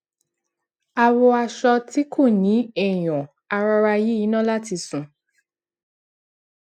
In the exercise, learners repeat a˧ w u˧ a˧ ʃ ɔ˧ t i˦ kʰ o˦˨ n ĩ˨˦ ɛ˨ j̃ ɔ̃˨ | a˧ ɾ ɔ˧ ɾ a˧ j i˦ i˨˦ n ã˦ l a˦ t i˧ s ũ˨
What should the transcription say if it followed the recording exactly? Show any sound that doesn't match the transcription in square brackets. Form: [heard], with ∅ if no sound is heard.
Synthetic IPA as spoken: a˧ w [ɔ˧] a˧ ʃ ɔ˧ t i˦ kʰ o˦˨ n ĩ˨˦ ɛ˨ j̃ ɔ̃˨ | a˧ ɾ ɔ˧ ɾ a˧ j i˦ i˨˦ n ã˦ l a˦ t i˧ s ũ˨